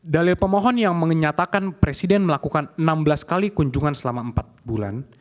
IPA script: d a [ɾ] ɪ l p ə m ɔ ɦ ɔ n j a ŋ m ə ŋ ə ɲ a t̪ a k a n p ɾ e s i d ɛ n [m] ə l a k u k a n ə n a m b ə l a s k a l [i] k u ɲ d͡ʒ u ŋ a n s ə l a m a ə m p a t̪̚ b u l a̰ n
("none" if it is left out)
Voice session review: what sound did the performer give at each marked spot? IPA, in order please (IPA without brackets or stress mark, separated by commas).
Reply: l, m, i